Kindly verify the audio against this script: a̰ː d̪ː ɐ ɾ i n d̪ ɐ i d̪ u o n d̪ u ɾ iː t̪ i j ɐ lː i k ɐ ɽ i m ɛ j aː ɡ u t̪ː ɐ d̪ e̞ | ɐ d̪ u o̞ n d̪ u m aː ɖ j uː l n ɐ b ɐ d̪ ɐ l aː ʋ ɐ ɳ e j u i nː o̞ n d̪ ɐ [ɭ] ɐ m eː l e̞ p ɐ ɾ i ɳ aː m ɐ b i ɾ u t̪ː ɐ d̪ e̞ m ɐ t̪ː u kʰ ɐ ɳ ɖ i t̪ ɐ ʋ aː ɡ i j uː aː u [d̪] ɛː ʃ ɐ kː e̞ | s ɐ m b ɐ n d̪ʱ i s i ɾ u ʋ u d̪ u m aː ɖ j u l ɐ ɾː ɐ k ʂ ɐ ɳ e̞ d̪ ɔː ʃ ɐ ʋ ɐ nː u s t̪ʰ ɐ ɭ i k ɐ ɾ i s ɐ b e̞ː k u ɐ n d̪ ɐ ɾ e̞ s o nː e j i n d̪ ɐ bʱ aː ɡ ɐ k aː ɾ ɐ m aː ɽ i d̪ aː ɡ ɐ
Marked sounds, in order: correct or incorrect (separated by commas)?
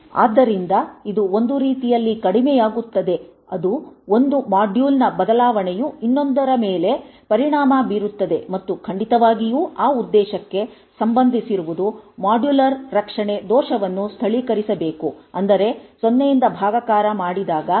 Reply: incorrect, incorrect